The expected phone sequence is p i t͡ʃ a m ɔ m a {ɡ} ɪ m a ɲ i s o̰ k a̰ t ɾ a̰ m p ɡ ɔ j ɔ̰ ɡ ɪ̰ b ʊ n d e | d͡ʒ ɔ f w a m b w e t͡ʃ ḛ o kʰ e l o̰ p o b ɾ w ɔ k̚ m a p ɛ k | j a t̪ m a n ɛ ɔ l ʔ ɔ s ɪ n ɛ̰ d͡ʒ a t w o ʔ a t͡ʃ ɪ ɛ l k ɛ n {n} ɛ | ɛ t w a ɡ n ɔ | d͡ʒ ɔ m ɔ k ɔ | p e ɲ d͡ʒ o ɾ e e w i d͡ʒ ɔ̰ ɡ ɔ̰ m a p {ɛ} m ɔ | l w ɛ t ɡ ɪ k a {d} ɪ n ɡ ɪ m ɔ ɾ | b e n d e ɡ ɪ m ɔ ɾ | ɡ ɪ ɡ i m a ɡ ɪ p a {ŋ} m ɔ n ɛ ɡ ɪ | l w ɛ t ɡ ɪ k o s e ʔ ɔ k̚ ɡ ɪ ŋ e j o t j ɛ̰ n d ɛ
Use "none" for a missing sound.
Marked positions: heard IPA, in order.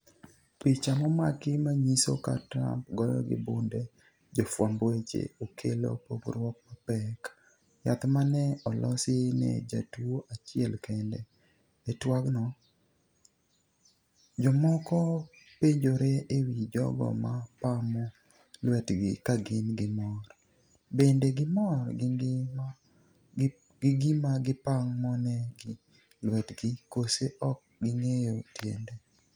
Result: k, d, a, ɡ, ŋ

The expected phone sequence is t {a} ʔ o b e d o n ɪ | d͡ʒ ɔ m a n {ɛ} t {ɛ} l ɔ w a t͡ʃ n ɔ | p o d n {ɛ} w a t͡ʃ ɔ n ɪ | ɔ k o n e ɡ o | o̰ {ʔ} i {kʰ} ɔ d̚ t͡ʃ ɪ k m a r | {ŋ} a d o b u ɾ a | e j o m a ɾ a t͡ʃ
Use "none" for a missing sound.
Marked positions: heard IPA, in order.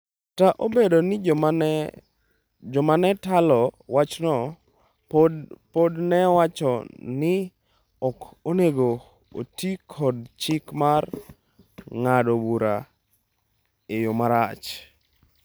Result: a, ɛ, a, ɛ, t, kʰ, ŋ

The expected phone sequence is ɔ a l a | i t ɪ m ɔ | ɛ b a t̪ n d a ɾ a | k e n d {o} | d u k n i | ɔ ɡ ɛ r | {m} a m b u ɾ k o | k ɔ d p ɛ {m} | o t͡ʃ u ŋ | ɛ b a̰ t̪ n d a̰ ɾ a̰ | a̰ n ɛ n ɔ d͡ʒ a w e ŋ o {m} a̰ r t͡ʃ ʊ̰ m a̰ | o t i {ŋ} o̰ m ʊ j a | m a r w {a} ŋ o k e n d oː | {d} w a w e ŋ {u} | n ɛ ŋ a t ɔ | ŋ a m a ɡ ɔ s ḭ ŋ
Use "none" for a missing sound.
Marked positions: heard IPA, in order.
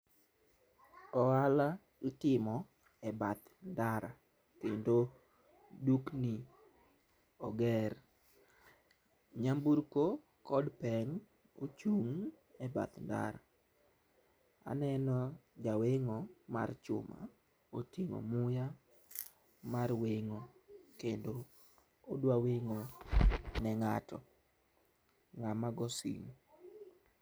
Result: o, ɲ, ŋ, m, ŋ, e, d, o

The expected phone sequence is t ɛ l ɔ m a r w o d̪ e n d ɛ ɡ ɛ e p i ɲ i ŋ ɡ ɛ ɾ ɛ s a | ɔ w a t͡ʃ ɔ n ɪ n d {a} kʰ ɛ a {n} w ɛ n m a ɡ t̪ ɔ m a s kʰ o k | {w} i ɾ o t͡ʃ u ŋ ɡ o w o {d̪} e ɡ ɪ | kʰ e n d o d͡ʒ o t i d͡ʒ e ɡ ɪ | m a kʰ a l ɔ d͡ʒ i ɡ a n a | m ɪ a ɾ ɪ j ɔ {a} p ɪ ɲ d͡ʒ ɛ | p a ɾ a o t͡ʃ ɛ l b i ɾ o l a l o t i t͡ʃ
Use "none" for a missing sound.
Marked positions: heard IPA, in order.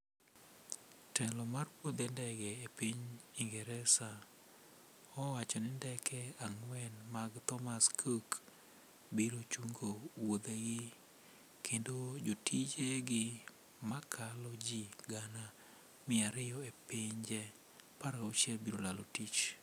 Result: ɛ, ŋ, b, d̪, e

